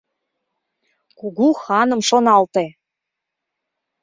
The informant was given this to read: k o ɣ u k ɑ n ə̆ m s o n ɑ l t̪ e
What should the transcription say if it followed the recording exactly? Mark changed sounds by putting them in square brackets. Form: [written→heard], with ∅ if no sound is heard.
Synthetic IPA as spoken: k [o→u] ɣ u [k→x] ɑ n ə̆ m [s→ʃ] o n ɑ l t̪ e